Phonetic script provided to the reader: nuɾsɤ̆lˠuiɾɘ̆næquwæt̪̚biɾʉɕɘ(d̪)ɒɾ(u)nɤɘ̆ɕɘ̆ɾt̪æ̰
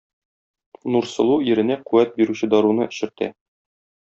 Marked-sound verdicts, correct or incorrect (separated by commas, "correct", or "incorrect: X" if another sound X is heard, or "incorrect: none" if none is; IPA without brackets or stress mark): correct, correct